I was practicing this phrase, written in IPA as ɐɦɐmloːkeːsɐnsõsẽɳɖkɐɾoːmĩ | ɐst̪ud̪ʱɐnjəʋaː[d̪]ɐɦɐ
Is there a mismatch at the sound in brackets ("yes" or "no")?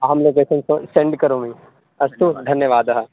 no